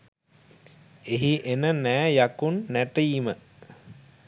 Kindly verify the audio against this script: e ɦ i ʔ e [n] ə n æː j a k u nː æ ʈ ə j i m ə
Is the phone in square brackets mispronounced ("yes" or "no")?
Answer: no